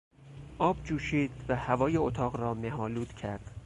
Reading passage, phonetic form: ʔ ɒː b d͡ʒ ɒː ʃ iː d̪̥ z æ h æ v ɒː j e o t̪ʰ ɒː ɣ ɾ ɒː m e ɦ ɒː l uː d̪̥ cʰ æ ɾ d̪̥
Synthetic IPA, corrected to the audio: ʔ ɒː b d͡ʒ uː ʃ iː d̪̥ v æ h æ v ɒː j e o t̪ʰ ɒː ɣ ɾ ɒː m e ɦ ɒː l uː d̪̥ cʰ æ ɾ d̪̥

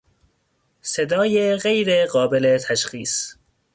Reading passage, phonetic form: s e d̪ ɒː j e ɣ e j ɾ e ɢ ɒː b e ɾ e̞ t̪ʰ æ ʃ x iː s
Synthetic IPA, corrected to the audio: s e d̪ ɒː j e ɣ e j ɾ e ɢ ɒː b e l e̞ t̪ʰ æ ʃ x iː s

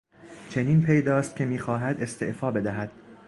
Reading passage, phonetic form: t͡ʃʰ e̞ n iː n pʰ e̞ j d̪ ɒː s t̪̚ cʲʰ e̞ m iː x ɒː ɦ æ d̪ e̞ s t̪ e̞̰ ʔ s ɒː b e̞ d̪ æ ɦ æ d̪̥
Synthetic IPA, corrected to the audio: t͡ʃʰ e̞ n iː n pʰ e̞ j d̪ ɒː s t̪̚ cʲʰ e̞ m iː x ɒː ɦ æ d̪ e̞ s t̪ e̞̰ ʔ f ɒː b e̞ d̪ æ ɦ æ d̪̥

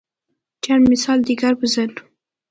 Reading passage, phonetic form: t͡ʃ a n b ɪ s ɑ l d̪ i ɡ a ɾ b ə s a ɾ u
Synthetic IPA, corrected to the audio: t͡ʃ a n m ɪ s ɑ l d̪ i ɡ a ɾ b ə z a l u

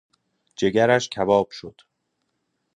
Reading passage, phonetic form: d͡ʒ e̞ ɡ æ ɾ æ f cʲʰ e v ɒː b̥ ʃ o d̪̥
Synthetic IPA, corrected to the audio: d͡ʒ e̞ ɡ æ ɾ æ ʃ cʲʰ æ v ɒː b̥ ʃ o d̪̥

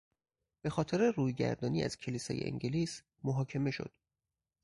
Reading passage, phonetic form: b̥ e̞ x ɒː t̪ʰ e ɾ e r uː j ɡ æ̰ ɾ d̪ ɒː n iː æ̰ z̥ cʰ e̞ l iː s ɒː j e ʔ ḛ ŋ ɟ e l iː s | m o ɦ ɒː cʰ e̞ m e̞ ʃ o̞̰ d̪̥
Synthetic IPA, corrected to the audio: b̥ e̞ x ɒː t̪ʰ e ɾ e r uː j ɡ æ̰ ɾ d̪ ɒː n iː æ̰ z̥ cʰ e̞ l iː s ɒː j e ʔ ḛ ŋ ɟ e l iː s | m o ɦ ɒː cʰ e̞ m e̞ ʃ o̞̰ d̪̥

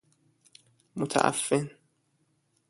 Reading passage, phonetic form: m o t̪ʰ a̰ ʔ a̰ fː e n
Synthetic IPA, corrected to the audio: m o t̪ʰ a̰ ʔ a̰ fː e n

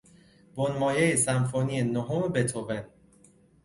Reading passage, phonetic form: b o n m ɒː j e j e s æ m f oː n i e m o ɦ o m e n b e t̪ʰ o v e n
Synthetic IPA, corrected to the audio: b o n m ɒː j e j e s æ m f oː n i e n o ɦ o m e b e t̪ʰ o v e n

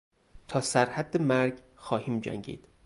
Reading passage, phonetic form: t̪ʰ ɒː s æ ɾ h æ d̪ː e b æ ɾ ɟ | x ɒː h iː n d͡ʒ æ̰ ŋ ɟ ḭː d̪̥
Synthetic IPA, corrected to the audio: t̪ʰ ɒː s æ ɾ h æ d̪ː e m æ ɾ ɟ | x ɒː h iː m d͡ʒ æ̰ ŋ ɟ ḭː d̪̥

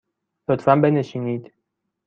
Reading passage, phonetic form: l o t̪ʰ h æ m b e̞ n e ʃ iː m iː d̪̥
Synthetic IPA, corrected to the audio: l o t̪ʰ f æ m b e̞ n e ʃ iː n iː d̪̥

